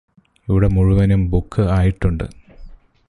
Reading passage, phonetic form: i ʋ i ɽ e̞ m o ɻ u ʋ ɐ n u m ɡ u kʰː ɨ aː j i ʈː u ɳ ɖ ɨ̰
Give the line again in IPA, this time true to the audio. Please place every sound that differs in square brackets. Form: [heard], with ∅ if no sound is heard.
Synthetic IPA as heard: i ʋ i ɽ e̞ m [u] ɻ u ʋ ɐ n u m [b] u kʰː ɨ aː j i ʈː u ɳ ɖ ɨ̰